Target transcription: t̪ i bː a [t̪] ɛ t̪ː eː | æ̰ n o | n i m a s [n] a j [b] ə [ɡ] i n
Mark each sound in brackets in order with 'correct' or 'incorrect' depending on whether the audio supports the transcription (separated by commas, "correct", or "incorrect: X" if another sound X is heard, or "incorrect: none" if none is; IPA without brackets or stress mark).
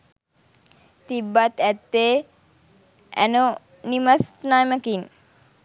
correct, correct, incorrect: m, incorrect: k